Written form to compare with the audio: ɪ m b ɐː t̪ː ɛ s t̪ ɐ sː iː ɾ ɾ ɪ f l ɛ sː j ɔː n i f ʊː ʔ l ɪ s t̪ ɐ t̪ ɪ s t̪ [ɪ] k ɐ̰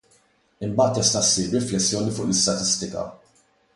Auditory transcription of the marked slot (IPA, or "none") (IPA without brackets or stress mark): ɪ